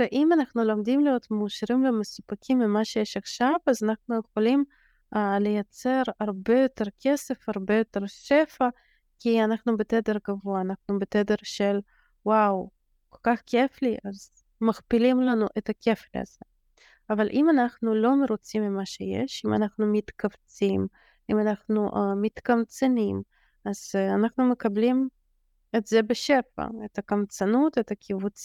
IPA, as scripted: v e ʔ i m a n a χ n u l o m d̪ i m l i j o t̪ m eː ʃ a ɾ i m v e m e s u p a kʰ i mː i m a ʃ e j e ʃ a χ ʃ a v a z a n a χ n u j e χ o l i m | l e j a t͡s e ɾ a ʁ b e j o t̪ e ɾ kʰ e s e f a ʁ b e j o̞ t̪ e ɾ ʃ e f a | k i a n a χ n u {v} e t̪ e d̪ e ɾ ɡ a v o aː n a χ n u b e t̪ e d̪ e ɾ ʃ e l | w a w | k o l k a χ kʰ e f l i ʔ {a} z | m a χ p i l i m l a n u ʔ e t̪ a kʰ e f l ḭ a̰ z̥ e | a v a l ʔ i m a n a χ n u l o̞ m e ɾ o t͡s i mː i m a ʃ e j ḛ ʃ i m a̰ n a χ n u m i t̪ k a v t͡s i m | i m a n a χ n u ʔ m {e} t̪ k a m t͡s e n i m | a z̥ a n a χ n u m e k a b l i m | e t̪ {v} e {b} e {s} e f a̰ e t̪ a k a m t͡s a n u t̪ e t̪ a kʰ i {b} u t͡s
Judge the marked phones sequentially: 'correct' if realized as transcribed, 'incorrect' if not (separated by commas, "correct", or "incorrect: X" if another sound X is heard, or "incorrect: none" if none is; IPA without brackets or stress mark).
incorrect: b, correct, incorrect: i, incorrect: z, correct, incorrect: ʃ, incorrect: v